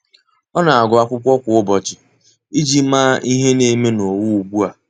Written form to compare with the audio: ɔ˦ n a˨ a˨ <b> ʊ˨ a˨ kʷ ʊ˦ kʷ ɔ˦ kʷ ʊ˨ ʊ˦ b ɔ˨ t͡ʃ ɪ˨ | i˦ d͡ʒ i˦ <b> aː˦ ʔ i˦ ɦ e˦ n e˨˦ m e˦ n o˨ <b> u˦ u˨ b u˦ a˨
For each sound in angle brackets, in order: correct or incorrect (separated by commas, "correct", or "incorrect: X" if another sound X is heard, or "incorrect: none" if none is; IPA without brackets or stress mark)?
incorrect: ɡ, incorrect: m, incorrect: w